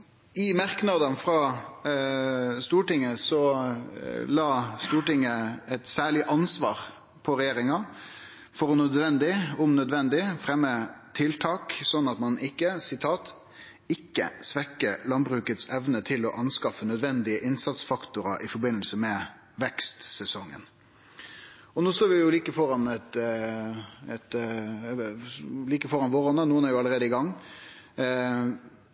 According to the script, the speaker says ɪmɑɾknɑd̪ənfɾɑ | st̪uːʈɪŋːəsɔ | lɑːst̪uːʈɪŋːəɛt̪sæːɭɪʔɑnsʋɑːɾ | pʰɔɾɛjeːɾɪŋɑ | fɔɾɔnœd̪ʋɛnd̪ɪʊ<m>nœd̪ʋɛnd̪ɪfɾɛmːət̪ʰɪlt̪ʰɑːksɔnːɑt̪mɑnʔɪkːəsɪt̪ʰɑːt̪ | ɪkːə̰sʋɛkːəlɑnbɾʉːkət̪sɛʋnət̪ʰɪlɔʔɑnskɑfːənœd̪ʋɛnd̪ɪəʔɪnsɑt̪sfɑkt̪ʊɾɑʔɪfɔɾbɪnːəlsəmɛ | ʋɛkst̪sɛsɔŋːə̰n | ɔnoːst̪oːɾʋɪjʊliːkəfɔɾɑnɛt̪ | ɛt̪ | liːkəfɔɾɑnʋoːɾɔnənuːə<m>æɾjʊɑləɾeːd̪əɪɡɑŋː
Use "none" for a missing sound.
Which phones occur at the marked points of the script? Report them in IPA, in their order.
m, n

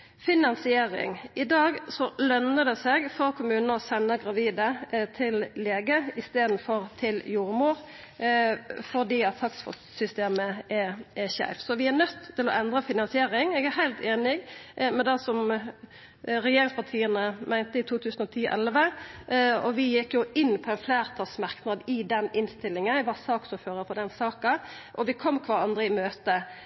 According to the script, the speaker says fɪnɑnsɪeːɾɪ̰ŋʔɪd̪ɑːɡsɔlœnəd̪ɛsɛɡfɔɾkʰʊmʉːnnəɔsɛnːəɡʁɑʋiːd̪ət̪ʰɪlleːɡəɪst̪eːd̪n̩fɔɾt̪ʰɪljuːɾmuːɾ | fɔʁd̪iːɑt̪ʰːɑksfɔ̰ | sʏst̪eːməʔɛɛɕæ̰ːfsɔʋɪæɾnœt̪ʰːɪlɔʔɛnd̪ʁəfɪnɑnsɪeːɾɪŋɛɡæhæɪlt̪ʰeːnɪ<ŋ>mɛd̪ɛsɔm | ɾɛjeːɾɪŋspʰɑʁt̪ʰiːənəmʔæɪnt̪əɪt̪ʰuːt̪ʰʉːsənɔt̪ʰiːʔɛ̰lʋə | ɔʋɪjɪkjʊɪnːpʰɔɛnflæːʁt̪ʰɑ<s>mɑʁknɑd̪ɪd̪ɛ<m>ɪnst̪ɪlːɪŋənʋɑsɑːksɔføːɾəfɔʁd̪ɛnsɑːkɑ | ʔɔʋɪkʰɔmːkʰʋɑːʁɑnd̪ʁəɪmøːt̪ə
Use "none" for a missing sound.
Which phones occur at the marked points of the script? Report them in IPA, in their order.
ɡ, s, n

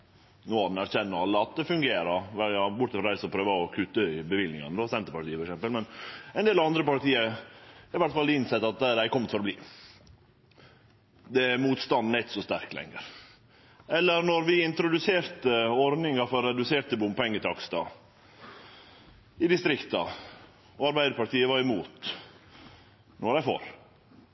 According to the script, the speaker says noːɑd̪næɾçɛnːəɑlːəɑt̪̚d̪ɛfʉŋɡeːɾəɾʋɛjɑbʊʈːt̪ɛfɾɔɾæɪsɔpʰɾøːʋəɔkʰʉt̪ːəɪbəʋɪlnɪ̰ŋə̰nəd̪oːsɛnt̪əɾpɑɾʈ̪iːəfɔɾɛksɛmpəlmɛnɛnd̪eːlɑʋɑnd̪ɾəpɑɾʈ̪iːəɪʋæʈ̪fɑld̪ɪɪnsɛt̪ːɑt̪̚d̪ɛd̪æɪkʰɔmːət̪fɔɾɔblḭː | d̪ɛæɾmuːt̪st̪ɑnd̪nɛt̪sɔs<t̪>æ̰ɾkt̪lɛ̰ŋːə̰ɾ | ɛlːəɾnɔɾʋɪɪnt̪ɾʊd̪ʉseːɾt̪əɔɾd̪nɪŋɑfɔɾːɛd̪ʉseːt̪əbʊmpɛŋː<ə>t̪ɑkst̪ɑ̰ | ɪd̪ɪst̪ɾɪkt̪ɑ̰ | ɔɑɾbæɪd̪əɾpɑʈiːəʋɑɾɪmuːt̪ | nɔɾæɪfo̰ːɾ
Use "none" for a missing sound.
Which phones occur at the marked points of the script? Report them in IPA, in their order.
t̪, ə

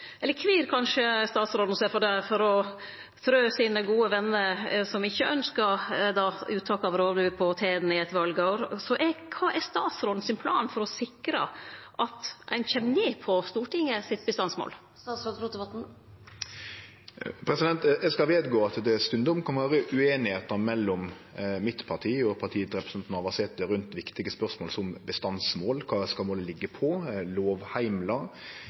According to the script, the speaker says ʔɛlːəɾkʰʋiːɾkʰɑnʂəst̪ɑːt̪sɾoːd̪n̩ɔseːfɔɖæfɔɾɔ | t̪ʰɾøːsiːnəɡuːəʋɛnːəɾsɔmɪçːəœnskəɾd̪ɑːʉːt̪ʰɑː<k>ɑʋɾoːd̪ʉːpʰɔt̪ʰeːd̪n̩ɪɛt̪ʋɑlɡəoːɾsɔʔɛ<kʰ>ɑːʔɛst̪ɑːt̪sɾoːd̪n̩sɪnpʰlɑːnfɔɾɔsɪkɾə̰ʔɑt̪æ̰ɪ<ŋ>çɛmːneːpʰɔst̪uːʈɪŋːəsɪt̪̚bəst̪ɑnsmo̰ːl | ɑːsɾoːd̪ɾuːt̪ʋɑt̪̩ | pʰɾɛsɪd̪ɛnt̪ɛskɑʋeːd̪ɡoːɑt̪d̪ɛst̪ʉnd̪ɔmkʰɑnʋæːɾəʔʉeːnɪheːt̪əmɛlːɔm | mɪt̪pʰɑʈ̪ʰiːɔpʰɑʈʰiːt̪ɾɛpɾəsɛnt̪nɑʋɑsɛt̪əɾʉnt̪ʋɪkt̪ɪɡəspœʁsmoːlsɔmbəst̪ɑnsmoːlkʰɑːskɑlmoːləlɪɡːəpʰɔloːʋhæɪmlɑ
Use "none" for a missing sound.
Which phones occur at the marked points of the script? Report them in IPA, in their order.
k, kʰ, n

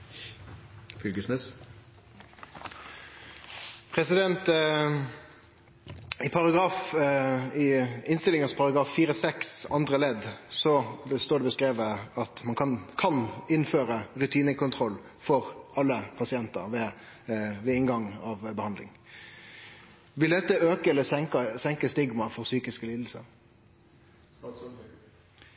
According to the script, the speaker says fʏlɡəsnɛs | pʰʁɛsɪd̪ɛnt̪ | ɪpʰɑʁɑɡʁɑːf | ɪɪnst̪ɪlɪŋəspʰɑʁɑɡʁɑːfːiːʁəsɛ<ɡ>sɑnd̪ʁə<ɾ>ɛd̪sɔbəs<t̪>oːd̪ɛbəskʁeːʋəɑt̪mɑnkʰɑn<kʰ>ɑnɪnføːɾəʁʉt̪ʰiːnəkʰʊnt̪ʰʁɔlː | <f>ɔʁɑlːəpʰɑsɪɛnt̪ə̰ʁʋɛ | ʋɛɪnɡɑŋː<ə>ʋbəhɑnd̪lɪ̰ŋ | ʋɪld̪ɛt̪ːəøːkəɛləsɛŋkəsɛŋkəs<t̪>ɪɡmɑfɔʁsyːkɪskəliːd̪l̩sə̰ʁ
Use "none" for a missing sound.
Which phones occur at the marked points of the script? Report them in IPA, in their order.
k, l, t̪, kʰ, f, ɑ, t̪

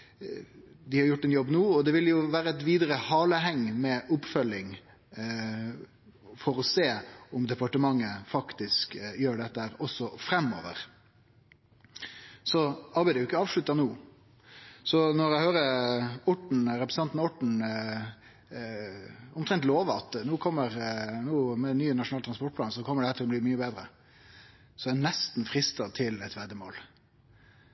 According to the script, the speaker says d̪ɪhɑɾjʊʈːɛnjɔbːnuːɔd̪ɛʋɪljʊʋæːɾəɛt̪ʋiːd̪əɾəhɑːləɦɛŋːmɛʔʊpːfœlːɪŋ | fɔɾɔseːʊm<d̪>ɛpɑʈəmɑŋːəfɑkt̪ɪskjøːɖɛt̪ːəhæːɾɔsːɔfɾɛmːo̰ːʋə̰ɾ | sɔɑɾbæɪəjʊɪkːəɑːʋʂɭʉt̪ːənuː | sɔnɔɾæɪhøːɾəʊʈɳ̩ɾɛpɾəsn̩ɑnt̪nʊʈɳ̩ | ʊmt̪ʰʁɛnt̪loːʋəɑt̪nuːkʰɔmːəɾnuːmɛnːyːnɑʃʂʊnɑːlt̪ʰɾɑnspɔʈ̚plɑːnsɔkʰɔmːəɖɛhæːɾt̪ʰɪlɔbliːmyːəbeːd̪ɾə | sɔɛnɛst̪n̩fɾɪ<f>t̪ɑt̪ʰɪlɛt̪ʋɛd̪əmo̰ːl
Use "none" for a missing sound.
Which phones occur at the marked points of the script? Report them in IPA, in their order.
d̪, s

